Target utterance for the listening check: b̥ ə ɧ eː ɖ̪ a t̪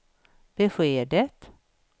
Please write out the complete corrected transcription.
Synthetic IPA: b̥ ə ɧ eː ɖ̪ ə t̪